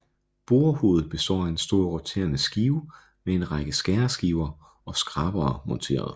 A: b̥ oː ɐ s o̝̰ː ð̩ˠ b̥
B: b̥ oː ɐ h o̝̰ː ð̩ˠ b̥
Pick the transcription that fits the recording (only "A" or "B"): B